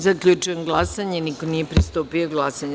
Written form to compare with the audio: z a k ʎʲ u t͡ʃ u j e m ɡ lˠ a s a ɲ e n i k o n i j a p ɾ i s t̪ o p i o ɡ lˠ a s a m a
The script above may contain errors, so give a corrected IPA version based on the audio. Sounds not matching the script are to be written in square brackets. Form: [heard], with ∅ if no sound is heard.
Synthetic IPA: z a k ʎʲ u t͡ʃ u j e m ɡ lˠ a s a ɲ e n i k o n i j [e] p ɾ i s t̪ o p i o ɡ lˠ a s a [ɲ] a

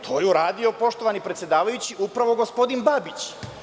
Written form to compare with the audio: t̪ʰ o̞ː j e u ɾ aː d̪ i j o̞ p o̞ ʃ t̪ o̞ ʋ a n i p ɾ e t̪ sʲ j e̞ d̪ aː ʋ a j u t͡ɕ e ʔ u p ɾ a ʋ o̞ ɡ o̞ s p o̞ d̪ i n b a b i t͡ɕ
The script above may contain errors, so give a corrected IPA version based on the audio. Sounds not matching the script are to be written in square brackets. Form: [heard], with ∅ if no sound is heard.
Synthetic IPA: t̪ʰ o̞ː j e u ɾ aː d̪ i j o̞ p o̞ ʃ t̪ o̞ ʋ a n i p ɾ e t̪ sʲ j e̞ d̪ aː ʋ a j u t͡ɕ [i] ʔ u p ɾ a ʋ o̞ ɡ o̞ s p o̞ d̪ i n b a b i t͡ɕ

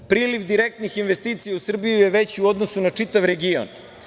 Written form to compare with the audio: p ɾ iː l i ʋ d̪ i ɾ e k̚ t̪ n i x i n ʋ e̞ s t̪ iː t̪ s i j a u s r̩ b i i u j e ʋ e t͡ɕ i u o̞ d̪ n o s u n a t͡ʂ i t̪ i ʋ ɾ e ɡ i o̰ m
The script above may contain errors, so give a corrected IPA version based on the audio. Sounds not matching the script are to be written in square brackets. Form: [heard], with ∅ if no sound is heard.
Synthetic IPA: p ɾ iː l i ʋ d̪ i ɾ e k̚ t̪ n i x i n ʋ e̞ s t̪ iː t̪ s i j a u s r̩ b i [j] u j e ʋ e t͡ɕ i u o̞ d̪ n o s u n a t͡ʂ i t̪ [a] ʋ ɾ e ɡ i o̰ [n]

